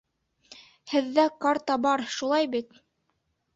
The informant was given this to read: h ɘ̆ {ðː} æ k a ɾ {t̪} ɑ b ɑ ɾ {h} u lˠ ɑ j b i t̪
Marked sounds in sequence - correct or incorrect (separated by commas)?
correct, correct, incorrect